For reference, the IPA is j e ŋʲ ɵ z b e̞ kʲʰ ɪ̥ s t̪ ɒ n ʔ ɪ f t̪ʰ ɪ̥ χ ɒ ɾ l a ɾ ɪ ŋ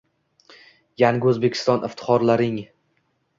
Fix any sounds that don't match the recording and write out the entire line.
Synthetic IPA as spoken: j a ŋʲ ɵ z b e̞ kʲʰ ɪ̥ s t̪ ɒ n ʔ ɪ f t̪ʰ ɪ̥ χ ɒ ɾ l a ɾ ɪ ŋ